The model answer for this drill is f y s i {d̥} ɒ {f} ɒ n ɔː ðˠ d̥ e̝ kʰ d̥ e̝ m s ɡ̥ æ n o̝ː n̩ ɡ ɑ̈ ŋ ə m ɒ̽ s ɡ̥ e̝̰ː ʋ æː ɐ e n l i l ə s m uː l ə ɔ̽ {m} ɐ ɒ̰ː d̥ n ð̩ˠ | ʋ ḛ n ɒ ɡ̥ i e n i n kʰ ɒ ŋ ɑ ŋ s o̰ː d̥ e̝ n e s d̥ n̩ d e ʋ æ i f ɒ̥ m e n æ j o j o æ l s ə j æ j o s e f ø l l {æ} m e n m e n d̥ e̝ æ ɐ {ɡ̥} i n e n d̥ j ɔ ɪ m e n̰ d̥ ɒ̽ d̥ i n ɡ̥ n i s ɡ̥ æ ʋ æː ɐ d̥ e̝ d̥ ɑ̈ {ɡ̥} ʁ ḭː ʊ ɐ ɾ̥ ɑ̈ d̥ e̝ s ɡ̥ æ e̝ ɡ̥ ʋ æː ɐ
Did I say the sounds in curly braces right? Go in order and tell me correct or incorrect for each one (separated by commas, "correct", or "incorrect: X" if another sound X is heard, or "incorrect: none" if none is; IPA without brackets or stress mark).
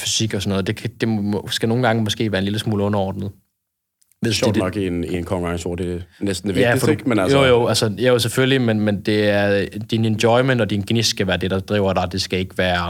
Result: incorrect: ɡ̥, incorrect: s, incorrect: n, incorrect: i, incorrect: d̥, incorrect: d̥